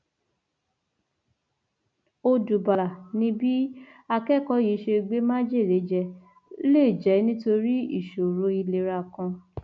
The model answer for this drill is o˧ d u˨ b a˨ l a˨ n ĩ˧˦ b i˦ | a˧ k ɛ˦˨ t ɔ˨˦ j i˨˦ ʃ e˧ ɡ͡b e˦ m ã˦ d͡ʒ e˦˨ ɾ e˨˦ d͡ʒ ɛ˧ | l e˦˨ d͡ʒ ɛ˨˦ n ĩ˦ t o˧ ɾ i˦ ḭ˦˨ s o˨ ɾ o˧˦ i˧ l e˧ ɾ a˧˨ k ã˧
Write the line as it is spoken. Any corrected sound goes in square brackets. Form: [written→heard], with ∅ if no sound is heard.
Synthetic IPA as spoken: o˧ d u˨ b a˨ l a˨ n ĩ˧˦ b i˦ | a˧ k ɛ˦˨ [t→k] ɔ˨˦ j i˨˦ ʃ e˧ ɡ͡b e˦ m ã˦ d͡ʒ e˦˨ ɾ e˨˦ d͡ʒ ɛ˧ | l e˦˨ d͡ʒ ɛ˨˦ n ĩ˦ t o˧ ɾ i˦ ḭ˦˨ [s→ʃ] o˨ ɾ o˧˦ i˧ l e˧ ɾ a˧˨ k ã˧